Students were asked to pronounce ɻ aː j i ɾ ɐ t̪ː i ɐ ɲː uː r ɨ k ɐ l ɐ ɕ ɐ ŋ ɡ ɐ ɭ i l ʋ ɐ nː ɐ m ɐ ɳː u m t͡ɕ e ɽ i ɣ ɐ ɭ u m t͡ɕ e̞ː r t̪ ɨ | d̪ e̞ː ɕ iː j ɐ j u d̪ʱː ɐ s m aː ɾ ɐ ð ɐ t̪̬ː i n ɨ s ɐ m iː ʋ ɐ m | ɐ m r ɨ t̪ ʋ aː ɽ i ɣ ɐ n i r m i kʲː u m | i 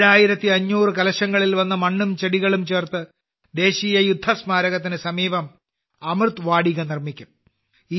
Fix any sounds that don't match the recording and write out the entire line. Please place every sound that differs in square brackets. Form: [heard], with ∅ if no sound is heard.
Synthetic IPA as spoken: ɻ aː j i ɾ ɐ t̪ː i ɐ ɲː uː r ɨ k ɐ l ɐ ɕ ɐ ŋ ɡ ɐ ɭ i l ʋ ɐ nː ɐ m ɐ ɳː u m t͡ɕ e ɽ i ɣ ɐ ɭ u m t͡ɕ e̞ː r t̪ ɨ | d̪ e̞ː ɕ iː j ɐ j u d̪ʱː ɐ s m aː ɾ ɐ [ɣ] ɐ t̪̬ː i n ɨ s ɐ m iː ʋ ɐ m | ɐ m r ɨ t̪ ʋ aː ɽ i ɣ ɐ n i r m i kʲː u m | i